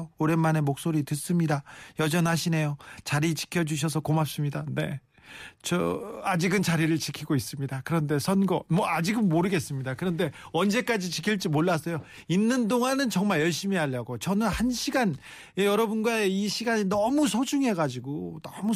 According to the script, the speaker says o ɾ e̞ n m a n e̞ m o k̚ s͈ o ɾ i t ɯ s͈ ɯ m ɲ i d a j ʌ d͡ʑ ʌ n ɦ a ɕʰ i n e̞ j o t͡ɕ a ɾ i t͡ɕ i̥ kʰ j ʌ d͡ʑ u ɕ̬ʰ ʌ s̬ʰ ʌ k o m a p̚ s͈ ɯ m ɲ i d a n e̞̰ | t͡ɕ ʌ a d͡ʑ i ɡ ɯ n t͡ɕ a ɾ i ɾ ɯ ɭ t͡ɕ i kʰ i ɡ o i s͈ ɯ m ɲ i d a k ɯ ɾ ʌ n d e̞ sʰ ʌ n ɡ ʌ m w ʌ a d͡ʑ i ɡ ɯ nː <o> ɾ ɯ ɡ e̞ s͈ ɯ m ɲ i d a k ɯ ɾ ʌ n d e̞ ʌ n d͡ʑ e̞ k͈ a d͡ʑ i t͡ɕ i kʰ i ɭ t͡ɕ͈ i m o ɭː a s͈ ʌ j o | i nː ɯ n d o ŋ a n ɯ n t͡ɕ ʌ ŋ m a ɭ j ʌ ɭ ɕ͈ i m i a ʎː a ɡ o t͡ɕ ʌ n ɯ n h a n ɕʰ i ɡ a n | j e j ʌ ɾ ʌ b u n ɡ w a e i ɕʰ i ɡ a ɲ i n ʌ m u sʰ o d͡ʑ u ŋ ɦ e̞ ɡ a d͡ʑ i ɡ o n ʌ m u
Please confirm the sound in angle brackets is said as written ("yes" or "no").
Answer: yes